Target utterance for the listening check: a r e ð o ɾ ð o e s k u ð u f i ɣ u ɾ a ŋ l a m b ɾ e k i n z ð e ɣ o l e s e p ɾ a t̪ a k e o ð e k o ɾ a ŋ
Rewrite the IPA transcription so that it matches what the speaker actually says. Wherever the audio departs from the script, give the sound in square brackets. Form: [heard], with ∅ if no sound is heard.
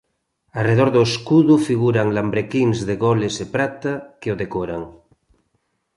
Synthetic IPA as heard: a r e ð o ɾ ð o e s k u ð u f i ɣ u ɾ a ŋ l a m b ɾ e k i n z ð e ɣ o l e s e p ɾ a t̪ a k e o ð e k o ɾ a ŋ